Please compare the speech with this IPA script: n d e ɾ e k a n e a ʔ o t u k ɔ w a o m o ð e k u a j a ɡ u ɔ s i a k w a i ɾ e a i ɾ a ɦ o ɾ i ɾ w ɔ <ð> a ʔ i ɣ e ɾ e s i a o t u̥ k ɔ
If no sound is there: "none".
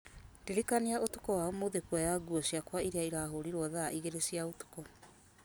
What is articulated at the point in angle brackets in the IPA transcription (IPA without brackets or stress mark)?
ð